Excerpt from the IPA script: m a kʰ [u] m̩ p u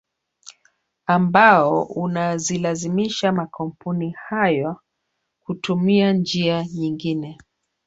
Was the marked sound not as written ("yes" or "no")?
yes